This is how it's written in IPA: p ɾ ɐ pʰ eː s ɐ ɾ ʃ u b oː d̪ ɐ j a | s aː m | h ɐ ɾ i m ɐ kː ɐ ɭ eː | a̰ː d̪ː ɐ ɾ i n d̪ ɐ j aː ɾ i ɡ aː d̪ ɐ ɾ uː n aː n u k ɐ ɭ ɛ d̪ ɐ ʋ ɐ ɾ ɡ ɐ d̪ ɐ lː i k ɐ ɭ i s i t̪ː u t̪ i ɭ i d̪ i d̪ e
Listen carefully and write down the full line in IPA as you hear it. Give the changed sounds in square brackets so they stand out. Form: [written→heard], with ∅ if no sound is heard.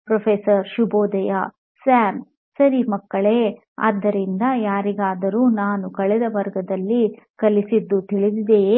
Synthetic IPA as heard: p ɾ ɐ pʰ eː s ɐ ɾ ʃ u b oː d̪ ɐ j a | s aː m | [h→s] ɐ ɾ i m ɐ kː ɐ ɭ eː | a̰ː d̪ː ɐ ɾ i n d̪ ɐ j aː ɾ i ɡ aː d̪ ɐ ɾ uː n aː n u k ɐ ɭ ɛ d̪ ɐ ʋ ɐ ɾ ɡ ɐ d̪ ɐ lː i k ɐ [ɭ→l] i s i [t̪ː→d̪ː] u t̪ i ɭ i d̪ i d̪ e